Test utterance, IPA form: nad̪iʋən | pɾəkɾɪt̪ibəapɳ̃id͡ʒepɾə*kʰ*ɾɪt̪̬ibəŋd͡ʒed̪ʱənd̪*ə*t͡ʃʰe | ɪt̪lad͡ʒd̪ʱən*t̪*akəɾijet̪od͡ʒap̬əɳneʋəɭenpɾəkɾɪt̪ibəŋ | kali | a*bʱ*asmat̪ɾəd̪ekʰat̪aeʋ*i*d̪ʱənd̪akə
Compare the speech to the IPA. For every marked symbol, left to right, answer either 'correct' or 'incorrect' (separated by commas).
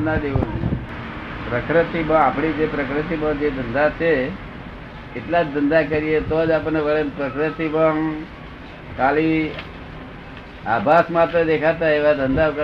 incorrect, incorrect, incorrect, correct, incorrect